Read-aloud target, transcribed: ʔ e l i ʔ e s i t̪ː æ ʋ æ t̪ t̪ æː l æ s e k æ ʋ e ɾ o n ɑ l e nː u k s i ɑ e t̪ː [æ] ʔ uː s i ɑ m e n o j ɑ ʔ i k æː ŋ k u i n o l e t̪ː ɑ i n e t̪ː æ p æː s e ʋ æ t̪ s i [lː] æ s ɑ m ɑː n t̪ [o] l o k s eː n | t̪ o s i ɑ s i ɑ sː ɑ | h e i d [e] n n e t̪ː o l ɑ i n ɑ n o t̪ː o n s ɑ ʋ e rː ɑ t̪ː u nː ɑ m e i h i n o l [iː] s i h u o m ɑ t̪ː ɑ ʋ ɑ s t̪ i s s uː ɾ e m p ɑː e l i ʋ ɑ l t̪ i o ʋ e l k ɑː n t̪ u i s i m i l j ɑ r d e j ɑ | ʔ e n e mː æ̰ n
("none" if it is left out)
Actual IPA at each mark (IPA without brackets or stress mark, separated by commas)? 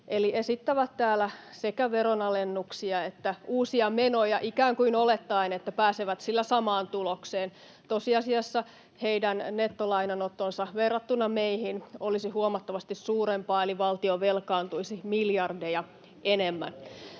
æ, lː, u, æ, i